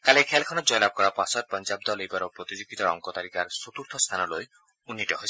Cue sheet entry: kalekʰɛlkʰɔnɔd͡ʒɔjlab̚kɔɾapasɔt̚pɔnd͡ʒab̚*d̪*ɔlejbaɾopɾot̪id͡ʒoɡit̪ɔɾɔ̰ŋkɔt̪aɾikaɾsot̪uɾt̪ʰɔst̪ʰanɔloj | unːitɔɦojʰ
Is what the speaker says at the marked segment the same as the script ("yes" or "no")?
yes